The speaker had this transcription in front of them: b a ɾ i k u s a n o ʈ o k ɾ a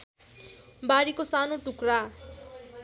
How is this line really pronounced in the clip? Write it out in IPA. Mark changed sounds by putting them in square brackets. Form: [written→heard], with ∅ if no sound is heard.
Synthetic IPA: b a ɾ i k [u→o] s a n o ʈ [o→u] k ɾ a